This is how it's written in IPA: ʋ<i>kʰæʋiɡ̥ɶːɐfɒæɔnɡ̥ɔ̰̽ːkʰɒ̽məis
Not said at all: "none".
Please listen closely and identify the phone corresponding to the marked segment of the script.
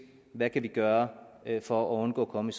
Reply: æ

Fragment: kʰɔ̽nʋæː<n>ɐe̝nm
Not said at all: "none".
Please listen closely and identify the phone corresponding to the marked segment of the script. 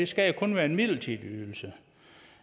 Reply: none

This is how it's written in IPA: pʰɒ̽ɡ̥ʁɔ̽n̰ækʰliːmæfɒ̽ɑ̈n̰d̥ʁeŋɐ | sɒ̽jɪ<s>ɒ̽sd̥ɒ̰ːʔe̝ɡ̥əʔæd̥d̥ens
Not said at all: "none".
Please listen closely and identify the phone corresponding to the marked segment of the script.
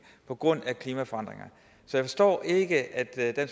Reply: f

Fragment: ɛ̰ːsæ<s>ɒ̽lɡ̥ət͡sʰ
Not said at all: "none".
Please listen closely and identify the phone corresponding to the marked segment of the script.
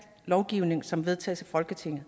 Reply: f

